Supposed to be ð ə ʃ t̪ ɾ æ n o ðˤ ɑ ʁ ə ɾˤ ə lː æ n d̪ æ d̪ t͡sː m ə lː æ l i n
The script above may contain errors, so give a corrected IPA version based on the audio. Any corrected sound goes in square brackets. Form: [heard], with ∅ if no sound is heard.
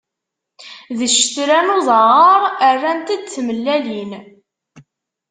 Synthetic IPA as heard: ð ə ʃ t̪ ɾ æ n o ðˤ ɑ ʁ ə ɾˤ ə [rː] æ n [t̪] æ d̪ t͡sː m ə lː æ l i n